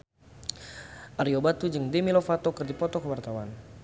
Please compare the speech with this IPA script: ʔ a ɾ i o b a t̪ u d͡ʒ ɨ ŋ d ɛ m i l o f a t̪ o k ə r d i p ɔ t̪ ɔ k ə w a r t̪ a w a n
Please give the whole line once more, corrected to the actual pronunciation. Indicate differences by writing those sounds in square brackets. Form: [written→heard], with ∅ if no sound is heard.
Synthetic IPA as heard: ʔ a ɾ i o b a t̪ u d͡ʒ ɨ ŋ d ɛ m i l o f a t̪ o k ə r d i p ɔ t̪ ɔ k ə w a r t̪ a w a n